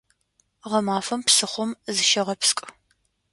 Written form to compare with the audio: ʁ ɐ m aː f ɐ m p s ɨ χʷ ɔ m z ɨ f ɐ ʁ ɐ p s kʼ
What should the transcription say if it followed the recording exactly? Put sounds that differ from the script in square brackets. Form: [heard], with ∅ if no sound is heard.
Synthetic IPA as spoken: ʁ ɐ m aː f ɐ m p s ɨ χʷ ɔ m z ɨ [ʃ] ɐ ʁ ɐ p s kʼ